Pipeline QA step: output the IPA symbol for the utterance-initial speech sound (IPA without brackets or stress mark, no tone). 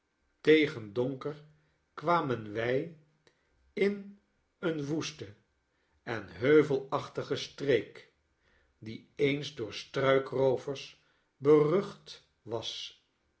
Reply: t